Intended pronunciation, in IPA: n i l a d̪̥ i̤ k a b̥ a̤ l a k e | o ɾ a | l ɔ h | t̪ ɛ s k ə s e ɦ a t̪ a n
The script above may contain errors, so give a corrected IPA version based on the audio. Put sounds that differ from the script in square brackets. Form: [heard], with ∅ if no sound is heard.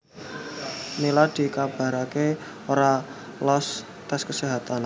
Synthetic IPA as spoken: n i l a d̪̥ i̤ k a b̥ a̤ [ɾ] a k e | o ɾ a | l ɔ [s] | t̪ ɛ s k ə s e ɦ a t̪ a n